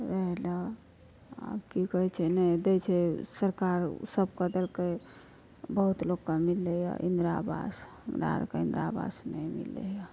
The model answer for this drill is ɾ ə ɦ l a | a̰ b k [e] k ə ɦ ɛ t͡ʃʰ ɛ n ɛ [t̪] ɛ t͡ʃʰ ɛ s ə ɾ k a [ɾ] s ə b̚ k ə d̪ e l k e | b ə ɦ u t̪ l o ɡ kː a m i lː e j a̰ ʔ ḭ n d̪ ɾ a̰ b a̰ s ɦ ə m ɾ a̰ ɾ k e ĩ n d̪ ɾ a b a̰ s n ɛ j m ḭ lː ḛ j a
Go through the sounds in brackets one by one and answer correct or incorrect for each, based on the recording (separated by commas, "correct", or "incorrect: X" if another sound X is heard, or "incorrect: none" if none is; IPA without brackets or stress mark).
incorrect: i, incorrect: d̪, correct